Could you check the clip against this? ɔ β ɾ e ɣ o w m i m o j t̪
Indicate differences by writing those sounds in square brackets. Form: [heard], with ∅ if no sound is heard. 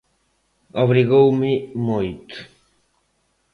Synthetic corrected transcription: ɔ β ɾ [i] ɣ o w m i m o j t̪